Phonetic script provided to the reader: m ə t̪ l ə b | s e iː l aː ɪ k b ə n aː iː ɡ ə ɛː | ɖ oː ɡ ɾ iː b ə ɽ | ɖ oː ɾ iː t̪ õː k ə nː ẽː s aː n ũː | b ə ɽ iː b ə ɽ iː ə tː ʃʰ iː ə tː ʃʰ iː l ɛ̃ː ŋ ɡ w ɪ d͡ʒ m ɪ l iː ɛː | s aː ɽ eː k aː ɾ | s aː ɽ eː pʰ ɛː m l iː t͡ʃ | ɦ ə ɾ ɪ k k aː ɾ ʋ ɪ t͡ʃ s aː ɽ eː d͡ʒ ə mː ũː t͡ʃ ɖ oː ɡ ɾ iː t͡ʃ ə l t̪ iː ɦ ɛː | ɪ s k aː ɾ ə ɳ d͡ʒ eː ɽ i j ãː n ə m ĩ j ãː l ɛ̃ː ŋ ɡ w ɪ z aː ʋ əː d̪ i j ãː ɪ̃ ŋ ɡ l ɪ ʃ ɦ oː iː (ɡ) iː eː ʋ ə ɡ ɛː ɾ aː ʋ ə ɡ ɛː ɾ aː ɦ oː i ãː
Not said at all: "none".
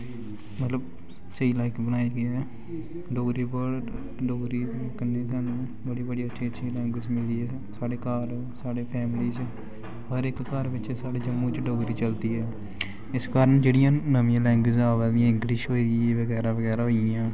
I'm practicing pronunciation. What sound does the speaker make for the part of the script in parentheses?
ɡ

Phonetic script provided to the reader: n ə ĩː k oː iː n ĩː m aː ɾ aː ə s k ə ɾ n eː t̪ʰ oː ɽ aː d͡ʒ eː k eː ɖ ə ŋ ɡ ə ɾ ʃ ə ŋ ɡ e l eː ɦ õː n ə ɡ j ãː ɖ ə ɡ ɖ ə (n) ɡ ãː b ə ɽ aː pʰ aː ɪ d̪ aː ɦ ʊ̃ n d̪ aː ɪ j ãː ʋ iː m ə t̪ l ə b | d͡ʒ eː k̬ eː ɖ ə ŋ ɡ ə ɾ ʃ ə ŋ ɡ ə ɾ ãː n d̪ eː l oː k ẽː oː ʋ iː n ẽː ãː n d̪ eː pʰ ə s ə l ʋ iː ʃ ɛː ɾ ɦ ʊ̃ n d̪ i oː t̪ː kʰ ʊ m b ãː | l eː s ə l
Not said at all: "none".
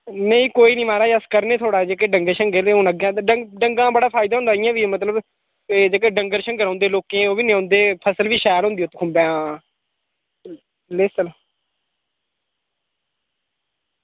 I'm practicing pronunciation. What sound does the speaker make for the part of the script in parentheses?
ŋ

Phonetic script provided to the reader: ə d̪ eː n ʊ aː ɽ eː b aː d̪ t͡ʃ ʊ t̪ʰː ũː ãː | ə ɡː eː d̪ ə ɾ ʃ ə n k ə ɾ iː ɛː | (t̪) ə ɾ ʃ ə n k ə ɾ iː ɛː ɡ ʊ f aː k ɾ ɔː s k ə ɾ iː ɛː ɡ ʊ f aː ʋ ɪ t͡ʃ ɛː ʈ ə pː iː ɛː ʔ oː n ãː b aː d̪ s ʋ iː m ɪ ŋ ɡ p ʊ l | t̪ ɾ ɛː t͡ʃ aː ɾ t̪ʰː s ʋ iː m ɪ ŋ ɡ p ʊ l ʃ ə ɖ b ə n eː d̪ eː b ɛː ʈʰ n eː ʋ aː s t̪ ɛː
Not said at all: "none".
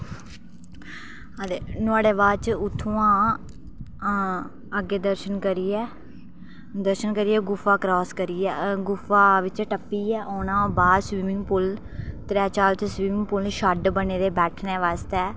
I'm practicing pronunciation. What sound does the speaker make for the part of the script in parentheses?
d̪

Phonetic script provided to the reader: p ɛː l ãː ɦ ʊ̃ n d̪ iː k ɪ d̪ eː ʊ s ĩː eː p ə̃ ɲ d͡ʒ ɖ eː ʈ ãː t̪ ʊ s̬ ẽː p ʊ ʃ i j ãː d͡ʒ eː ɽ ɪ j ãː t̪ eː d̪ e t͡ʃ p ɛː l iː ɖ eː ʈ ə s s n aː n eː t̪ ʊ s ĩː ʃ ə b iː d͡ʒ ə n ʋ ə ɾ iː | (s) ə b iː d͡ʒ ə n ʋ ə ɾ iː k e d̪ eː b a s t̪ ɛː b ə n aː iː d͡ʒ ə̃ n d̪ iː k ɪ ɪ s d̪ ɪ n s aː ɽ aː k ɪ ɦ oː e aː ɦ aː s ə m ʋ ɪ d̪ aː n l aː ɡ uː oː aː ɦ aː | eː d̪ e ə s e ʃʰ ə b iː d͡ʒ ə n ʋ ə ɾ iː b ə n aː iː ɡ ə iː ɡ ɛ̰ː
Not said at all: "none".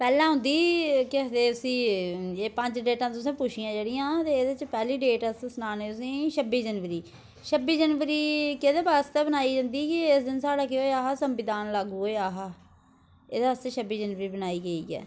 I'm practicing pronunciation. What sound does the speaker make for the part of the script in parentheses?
ʃ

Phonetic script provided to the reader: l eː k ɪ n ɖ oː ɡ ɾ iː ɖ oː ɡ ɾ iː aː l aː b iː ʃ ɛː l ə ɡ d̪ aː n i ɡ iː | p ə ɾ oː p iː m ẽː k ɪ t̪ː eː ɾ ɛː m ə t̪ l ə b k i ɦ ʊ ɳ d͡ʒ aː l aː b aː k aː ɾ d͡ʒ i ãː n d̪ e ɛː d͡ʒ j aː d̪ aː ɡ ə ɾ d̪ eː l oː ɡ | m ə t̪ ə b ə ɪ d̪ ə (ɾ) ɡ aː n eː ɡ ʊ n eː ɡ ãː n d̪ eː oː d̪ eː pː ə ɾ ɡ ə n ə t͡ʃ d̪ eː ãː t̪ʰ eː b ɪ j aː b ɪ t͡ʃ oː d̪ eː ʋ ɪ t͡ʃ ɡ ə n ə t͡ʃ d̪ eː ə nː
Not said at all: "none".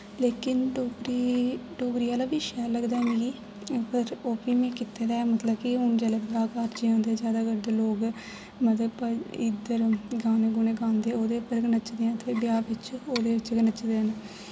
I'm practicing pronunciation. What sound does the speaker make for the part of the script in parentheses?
ɾ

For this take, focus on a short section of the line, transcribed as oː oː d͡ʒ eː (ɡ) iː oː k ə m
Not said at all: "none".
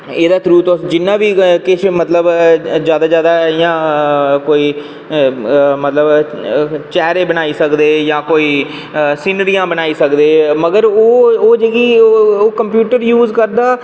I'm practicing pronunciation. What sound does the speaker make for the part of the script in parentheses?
ɡ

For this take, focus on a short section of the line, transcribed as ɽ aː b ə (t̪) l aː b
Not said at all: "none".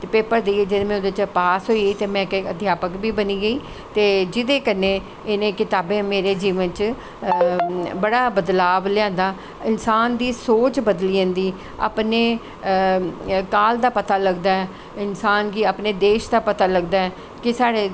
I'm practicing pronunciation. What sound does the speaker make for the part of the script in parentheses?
d̪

